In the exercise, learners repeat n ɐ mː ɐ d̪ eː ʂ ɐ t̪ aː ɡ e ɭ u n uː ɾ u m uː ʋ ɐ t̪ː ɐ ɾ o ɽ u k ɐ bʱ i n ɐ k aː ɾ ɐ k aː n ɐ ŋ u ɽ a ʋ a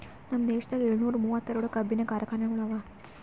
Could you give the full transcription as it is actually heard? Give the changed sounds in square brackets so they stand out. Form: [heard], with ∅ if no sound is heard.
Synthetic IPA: n ɐ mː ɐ d̪ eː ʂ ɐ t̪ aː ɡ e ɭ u n uː ɾ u m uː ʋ ɐ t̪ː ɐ ɾ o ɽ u k ɐ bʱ i n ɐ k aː ɾ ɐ k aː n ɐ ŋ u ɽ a ʋ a